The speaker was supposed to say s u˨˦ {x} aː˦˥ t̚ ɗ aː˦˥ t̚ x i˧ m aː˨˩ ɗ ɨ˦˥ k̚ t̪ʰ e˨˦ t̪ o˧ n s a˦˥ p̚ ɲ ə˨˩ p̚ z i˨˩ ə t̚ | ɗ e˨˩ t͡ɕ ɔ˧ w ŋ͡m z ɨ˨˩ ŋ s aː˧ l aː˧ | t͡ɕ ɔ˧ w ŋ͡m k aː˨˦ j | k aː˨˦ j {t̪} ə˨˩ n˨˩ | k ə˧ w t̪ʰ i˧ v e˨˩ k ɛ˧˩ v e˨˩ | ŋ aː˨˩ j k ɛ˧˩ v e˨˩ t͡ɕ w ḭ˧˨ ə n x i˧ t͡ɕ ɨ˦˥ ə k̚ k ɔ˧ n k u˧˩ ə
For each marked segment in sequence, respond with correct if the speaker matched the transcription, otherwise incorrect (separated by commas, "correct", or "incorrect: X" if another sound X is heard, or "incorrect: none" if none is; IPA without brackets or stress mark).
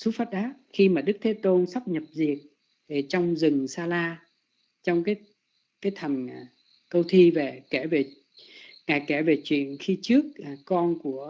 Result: incorrect: f, incorrect: t̪ʰ